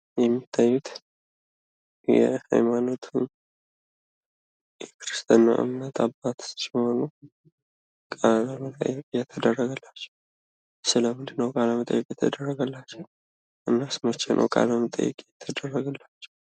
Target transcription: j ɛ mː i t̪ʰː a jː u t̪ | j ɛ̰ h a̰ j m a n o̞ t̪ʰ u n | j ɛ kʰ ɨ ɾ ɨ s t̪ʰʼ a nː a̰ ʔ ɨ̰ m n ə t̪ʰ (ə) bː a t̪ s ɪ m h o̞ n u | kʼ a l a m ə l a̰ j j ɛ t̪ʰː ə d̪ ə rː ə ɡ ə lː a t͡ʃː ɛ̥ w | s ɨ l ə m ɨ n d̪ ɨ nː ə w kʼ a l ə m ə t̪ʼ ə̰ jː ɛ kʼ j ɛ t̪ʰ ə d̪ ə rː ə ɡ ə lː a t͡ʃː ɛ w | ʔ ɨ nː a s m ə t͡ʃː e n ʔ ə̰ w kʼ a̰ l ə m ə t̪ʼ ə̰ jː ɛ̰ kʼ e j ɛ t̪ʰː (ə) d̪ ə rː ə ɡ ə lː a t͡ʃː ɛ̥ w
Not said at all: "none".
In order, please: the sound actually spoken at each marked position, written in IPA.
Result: a, ə

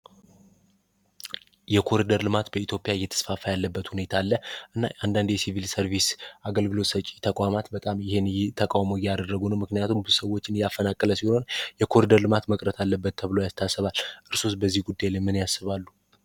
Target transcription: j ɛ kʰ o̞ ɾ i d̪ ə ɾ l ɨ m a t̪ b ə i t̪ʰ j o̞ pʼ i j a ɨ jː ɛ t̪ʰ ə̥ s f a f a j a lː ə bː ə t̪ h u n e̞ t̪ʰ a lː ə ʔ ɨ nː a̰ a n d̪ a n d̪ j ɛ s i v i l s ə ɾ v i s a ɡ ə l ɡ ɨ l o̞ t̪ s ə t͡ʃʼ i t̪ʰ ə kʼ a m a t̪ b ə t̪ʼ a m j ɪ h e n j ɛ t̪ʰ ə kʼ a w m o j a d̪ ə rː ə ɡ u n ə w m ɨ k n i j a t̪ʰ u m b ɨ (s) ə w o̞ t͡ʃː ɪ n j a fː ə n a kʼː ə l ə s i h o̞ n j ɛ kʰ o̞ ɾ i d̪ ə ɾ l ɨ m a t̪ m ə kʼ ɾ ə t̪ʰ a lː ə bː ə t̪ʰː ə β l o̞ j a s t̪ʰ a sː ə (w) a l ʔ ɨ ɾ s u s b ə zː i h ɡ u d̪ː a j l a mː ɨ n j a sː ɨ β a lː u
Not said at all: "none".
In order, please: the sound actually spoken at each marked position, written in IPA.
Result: s, β

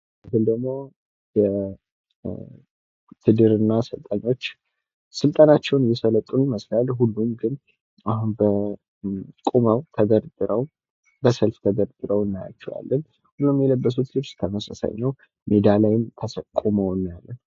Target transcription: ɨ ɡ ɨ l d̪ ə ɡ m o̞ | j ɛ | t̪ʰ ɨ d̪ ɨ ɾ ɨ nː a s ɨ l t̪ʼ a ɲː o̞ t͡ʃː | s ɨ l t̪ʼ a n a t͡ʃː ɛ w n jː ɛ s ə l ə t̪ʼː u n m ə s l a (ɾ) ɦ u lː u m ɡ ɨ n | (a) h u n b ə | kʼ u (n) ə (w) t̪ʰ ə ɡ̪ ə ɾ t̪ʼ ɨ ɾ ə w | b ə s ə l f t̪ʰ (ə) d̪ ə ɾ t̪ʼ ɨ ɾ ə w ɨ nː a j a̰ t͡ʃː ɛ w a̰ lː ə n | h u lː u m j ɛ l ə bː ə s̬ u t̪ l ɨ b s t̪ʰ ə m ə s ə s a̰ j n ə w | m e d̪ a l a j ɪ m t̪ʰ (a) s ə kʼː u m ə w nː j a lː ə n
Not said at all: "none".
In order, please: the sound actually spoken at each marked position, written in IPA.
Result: l, a, m, w, ə, ə

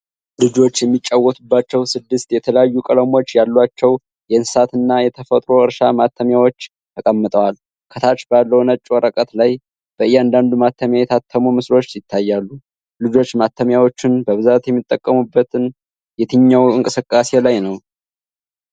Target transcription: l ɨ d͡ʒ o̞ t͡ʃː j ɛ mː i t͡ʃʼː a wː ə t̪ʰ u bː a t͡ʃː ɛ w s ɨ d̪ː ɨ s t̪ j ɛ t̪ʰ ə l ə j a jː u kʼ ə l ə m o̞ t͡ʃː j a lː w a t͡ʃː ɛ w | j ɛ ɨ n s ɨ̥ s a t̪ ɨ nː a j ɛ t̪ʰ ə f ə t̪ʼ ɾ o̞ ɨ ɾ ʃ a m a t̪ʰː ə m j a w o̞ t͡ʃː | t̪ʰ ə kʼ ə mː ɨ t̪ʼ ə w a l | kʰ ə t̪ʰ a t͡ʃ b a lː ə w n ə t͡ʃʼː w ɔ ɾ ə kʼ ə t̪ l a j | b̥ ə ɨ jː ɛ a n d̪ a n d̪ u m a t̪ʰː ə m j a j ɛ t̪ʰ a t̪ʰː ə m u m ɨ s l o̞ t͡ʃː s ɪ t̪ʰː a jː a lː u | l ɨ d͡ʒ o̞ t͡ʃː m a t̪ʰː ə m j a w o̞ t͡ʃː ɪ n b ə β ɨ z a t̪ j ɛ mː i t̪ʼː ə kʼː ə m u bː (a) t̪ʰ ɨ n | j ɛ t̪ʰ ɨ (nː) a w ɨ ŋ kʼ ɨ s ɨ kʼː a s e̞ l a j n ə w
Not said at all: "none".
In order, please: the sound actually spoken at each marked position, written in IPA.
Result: ə, ɲː

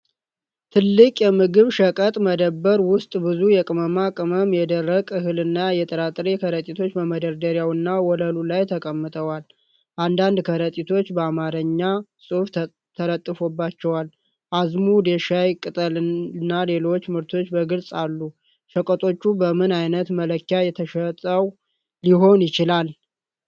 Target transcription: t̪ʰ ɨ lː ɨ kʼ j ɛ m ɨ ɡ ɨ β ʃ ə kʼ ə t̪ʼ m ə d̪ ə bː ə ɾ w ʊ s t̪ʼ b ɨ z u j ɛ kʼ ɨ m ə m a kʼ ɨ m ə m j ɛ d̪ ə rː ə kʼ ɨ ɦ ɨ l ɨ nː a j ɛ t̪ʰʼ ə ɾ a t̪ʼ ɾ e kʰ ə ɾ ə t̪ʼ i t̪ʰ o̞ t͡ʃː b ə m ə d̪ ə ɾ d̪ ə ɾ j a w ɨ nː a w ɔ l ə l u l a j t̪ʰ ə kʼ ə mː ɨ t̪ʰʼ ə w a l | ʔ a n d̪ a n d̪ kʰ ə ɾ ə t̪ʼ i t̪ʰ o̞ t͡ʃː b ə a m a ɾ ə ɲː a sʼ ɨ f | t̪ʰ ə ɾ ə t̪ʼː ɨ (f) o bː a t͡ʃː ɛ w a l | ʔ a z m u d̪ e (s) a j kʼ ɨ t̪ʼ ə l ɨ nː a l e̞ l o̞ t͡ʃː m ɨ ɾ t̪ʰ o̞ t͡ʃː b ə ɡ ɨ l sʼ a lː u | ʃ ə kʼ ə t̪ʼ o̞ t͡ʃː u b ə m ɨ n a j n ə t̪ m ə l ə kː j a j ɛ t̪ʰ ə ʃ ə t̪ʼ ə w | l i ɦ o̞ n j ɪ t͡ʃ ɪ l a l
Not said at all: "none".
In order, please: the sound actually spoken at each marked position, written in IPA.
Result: f, ʃ

